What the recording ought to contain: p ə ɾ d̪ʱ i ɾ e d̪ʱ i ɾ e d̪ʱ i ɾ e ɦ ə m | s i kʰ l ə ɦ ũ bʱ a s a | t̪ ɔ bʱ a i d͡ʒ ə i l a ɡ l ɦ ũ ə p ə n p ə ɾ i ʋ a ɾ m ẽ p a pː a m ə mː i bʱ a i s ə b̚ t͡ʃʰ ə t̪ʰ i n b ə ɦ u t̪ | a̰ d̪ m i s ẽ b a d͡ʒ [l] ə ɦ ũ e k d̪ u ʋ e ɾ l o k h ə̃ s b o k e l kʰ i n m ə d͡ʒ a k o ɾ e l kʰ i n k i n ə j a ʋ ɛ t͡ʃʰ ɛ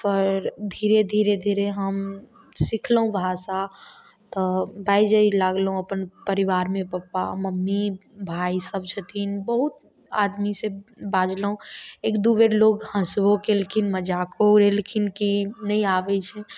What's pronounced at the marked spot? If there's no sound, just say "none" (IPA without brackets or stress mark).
l